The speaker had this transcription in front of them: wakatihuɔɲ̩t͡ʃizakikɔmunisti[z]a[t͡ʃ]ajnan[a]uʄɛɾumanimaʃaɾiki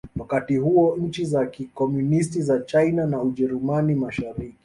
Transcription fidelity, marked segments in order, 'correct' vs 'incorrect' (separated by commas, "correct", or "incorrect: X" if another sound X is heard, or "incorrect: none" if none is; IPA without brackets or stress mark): correct, correct, correct